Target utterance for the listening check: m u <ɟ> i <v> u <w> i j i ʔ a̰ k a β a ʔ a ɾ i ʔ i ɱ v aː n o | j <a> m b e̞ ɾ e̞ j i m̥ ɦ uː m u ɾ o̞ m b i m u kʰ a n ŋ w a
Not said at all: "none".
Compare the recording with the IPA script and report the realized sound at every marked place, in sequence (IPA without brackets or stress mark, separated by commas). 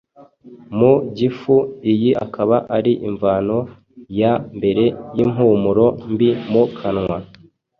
ɟ, f, none, a